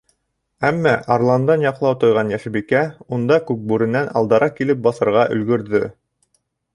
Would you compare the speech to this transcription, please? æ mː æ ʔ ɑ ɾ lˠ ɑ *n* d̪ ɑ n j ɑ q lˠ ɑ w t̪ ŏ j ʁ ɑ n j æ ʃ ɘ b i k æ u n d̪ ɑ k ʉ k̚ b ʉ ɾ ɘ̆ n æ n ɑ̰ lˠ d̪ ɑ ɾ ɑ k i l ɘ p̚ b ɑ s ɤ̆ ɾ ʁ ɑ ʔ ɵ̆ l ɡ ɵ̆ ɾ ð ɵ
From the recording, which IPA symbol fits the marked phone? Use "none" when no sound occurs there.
n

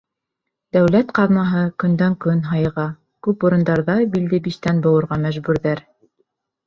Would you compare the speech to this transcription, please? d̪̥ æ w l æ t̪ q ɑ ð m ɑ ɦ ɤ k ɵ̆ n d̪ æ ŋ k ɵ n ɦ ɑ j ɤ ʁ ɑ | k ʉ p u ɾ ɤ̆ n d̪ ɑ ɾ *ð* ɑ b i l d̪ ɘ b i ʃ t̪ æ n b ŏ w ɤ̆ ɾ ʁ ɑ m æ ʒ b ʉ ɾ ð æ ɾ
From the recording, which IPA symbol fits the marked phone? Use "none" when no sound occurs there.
ð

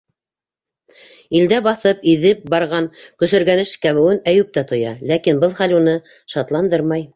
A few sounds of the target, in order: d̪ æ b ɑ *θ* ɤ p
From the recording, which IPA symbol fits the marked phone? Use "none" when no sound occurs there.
θ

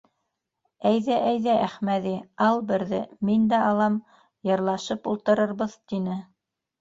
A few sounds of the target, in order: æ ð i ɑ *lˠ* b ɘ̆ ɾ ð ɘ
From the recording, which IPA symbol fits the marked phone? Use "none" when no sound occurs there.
lˠ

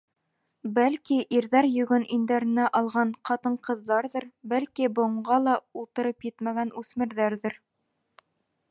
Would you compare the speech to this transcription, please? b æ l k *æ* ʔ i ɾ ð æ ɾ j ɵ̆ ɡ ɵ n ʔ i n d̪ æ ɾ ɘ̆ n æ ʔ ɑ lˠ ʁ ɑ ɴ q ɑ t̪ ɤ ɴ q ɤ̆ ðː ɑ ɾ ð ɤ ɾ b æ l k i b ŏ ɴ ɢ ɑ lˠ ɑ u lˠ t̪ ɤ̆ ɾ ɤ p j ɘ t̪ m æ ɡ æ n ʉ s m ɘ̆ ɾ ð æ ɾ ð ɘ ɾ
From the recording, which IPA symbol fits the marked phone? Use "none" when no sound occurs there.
i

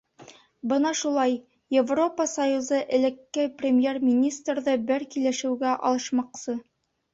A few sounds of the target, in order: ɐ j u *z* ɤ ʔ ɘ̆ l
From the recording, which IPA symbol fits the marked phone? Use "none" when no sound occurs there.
z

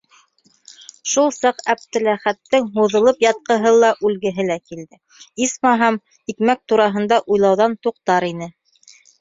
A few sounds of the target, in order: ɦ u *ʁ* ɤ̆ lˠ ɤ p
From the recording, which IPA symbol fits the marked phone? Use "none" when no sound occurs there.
ð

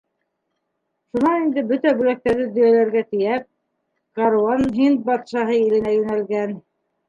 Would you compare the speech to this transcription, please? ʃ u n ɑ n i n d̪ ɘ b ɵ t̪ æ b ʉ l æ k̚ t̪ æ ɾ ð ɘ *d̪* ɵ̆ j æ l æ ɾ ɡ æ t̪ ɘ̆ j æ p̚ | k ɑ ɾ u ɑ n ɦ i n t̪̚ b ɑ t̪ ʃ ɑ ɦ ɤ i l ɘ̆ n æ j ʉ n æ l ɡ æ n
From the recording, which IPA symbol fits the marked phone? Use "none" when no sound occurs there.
d̪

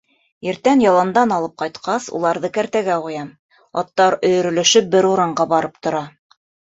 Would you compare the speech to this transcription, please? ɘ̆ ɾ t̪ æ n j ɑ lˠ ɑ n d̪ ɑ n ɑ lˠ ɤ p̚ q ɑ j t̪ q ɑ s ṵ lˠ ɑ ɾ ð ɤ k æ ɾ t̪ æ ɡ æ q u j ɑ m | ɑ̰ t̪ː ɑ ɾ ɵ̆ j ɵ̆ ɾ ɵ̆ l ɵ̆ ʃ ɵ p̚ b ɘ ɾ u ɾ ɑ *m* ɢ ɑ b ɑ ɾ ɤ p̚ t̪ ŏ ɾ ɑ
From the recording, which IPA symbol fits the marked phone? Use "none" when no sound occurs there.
ɴ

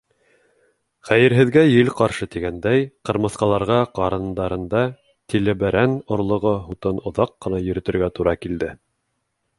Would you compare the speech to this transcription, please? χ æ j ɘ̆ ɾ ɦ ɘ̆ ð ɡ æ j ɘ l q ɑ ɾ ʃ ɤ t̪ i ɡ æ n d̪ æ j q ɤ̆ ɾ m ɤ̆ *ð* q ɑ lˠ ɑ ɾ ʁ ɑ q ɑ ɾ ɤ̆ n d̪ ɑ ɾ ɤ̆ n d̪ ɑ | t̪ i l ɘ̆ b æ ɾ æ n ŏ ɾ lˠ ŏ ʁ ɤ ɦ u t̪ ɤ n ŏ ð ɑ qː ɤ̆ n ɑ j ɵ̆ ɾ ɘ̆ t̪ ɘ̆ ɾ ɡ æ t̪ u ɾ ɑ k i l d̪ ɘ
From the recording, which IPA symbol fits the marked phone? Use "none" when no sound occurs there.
θ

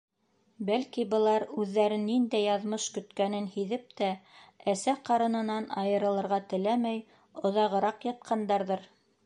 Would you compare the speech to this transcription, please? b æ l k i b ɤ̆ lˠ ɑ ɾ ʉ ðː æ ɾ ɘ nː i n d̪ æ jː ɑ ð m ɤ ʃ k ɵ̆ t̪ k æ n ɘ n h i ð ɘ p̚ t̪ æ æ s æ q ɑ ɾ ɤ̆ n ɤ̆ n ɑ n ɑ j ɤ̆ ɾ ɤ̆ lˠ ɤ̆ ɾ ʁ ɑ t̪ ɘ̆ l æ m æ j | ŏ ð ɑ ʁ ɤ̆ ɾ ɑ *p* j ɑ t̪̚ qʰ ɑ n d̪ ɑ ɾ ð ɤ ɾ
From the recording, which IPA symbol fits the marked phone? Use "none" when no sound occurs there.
q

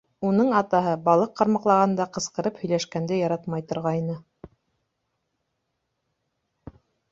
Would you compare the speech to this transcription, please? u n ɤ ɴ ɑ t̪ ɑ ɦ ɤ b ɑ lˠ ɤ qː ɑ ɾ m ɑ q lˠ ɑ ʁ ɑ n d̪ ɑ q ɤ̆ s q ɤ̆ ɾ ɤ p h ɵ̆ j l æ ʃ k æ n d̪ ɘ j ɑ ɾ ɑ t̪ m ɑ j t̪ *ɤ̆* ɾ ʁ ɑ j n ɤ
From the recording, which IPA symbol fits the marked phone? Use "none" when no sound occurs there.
ŏ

